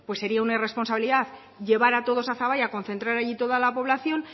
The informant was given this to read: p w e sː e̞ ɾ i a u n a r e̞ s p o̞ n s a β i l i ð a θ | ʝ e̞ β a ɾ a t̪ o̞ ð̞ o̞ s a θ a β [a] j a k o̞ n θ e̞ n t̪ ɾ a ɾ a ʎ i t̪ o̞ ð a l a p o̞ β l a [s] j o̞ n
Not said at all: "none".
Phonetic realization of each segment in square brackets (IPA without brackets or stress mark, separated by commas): a, θ